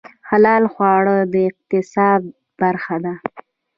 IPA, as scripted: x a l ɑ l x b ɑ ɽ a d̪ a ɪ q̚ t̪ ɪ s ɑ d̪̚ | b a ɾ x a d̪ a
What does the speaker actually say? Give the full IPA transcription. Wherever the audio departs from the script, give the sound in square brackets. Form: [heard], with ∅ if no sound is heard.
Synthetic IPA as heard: x a l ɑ l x [w] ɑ ɽ [ə] d̪ [ə] ɪ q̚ t̪ ɪ s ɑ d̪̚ | b a ɾ x a d̪ a